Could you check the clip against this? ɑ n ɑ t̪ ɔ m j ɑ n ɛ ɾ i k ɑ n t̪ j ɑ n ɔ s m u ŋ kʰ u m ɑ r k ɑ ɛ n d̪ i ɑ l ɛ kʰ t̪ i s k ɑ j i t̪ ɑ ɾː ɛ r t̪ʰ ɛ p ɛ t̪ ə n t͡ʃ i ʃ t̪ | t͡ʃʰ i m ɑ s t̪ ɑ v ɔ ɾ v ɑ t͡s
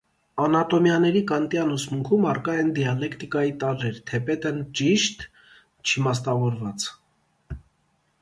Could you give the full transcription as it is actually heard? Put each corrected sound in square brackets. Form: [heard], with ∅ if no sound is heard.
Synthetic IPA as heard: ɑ n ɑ t̪ ɔ m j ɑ n ɛ ɾ i k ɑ n t̪ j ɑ n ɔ s m u ŋ kʰ u m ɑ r k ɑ ɛ n d̪ i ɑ l ɛ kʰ t̪ i [∅] k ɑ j i t̪ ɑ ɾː ɛ [ɾ] t̪ʰ ɛ p ɛ t̪ ə n t͡ʃ i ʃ t̪ | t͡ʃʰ i m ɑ s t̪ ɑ v ɔ ɾ v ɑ t͡s